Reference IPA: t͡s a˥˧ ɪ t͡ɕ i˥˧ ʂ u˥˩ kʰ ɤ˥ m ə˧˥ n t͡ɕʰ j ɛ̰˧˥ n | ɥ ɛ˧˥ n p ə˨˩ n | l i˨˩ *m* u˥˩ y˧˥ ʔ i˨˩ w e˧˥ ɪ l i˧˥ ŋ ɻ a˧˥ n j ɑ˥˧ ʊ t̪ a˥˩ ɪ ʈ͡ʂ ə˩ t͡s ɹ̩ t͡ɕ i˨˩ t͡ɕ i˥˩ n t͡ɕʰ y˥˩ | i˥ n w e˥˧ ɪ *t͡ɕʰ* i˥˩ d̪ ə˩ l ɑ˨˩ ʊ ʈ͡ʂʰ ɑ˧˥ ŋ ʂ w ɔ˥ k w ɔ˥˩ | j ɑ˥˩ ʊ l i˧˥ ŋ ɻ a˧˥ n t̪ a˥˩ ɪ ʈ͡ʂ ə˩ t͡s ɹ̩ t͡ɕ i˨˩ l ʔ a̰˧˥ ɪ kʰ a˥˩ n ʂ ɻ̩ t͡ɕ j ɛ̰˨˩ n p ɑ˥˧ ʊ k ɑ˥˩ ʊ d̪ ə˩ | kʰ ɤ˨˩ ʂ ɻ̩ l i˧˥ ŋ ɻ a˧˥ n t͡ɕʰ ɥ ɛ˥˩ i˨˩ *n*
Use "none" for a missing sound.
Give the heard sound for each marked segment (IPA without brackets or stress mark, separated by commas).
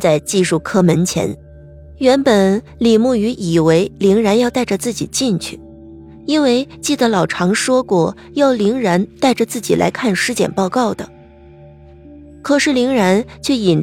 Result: m, t͡ɕ, n